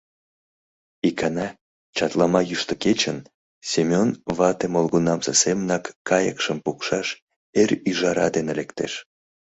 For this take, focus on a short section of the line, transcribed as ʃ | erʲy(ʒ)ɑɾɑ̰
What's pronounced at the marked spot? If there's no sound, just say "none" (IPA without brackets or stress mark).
ʒ